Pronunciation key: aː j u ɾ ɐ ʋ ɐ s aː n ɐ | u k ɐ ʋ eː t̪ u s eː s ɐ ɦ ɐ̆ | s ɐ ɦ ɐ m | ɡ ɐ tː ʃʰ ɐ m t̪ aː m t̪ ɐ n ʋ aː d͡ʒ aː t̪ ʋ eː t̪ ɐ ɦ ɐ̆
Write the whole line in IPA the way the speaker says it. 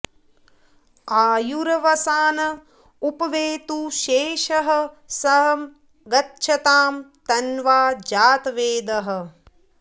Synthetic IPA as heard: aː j u ɾ ɐ ʋ ɐ s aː n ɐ | u p ɐ ʋ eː t̪ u ʃ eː ʃ ɐ ɦ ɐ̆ | s ɐ ɦ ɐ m | ɡ ɐ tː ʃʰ ɐ t̪ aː m t̪ ɐ n ʋ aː d͡ʒ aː t̪ ʋ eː d̪ ɐ ɦ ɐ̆